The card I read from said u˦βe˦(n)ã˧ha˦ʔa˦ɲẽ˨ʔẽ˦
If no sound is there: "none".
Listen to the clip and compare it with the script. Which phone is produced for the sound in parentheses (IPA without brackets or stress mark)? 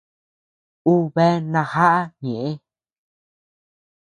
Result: n